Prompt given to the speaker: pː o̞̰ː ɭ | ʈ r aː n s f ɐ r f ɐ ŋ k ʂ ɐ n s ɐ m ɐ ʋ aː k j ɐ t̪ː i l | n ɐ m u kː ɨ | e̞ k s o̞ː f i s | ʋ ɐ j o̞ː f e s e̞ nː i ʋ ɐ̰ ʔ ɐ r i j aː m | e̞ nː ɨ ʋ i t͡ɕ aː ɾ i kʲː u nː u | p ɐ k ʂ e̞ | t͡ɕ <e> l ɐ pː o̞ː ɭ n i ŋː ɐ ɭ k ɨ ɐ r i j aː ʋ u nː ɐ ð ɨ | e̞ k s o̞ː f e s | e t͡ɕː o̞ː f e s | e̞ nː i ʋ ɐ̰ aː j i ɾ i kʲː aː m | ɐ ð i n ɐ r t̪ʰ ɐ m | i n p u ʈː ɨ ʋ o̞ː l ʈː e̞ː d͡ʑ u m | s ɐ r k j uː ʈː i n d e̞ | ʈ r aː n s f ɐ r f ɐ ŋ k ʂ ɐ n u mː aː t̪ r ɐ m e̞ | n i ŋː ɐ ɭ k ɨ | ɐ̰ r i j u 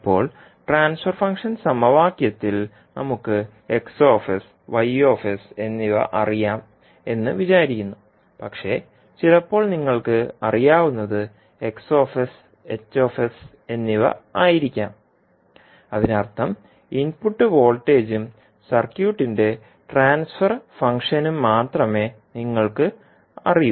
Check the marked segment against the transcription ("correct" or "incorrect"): incorrect